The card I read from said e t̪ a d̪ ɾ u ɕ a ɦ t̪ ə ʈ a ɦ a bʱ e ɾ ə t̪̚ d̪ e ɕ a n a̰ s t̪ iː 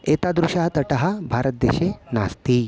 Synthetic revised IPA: e t̪ a d̪ ɾ u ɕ a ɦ t̪ ə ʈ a ɦ a bʱ a ɾ ə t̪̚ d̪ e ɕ e n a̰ s t̪ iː